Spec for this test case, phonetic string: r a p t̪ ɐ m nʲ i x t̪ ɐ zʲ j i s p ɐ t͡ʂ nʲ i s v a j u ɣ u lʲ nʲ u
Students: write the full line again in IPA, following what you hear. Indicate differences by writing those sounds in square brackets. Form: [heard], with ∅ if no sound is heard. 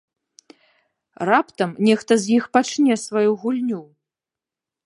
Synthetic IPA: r a p t̪ ɐ m nʲ [ɛ] x t̪ ɐ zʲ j i [x] p [a] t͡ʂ nʲ [ɛ] s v a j u ɣ u lʲ nʲ u

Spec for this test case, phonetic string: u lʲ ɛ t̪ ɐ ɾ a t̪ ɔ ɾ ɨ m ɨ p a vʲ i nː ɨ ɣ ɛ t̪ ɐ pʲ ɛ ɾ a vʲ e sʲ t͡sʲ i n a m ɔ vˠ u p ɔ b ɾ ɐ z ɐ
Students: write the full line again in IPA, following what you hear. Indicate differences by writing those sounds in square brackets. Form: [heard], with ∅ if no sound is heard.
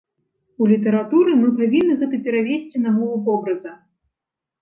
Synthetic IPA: u lʲ [i] t̪ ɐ ɾ a t̪ [u] ɾ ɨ m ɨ p a vʲ i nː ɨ ɣ ɛ t̪ ɐ pʲ ɛ ɾ a vʲ e sʲ t͡sʲ i n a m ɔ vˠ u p ɔ b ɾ ɐ z ɐ

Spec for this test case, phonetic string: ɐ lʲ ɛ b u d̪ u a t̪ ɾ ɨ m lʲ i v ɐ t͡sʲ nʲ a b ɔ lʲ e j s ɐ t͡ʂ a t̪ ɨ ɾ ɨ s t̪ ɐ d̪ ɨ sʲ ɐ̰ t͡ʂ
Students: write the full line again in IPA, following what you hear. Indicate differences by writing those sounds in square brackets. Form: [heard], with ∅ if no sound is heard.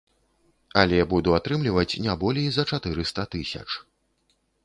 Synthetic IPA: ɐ lʲ ɛ b u d̪ u a t̪ ɾ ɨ m lʲ i v ɐ t͡sʲ nʲ a b ɔ lʲ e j [z] ɐ t͡ʂ a t̪ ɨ ɾ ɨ s t̪ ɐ [t̪] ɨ sʲ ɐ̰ t͡ʂ

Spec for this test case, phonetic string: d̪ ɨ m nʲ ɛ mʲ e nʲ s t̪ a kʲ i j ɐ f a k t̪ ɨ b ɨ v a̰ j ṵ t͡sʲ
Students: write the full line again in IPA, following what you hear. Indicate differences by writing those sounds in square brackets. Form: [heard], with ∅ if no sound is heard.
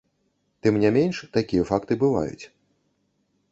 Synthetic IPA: [t̪] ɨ m nʲ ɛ mʲ e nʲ [ʂ] t̪ a kʲ i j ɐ f a k t̪ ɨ b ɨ v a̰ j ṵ t͡sʲ

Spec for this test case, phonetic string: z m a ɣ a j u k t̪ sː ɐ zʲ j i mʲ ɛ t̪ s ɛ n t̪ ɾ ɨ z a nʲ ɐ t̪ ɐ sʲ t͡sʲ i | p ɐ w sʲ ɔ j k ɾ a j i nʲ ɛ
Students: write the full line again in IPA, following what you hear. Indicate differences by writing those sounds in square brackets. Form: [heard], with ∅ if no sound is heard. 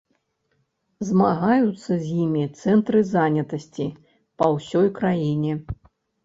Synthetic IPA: z m a ɣ a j u [∅] t̪ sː ɐ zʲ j i mʲ [i] t̪ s ɛ n t̪ ɾ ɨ z a nʲ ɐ t̪ ɐ sʲ t͡sʲ i | p ɐ w sʲ ɔ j k ɾ a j i nʲ ɛ

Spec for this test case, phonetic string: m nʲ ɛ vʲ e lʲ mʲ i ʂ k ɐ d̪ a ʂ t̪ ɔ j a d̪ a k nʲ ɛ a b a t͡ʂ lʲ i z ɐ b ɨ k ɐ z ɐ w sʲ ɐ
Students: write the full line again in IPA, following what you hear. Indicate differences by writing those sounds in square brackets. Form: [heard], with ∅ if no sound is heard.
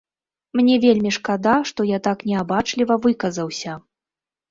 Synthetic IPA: m nʲ ɛ vʲ e lʲ mʲ i ʂ k [a] d̪ a ʂ t̪ ɔ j a [t̪] a k nʲ ɛ a b a t͡ʂ lʲ i [v] ɐ [v] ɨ k ɐ z ɐ w sʲ ɐ

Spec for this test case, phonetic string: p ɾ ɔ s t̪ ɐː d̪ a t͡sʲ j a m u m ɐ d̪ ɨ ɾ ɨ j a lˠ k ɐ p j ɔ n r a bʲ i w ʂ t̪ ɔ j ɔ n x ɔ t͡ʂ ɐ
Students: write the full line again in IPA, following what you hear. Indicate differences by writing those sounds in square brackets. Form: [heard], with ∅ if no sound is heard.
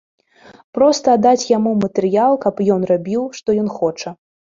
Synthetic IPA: p ɾ ɔ s t̪ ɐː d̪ a t͡sʲ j a m u m ɐ [t̪] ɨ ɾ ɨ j a lˠ k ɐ p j ɔ n r a bʲ i w ʂ t̪ ɔ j ɔ n x ɔ t͡ʂ ɐ

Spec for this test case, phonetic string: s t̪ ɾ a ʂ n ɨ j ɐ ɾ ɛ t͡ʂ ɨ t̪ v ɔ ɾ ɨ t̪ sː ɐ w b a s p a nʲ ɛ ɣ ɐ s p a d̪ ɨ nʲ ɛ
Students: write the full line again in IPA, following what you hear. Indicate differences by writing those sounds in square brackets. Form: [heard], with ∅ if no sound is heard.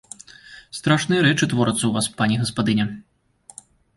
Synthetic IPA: s t̪ ɾ a ʂ n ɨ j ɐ ɾ ɛ t͡ʂ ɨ t̪ v ɔ ɾ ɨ t̪ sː ɐ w [v] a s p a nʲ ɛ ɣ ɐ s p a d̪ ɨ nʲ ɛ

